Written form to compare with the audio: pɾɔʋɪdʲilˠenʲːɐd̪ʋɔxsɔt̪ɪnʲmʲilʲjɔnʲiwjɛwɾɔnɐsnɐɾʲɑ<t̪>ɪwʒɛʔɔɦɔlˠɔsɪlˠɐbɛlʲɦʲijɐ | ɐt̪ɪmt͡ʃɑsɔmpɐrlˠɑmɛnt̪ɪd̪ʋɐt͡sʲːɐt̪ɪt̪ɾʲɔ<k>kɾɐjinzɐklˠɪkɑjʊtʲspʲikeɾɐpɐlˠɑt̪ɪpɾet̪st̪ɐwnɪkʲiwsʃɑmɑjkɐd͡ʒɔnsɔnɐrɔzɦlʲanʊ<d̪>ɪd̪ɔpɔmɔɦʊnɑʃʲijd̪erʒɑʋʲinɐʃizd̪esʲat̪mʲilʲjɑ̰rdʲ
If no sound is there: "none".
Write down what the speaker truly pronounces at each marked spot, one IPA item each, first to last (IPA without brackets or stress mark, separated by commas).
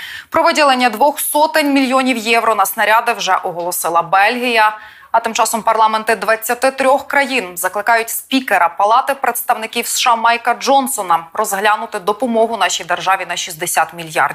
d̪, x, t̪